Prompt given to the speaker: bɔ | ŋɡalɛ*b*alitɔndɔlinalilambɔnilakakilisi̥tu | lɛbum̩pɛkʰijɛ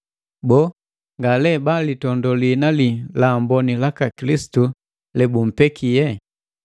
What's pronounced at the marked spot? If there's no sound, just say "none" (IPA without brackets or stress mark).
b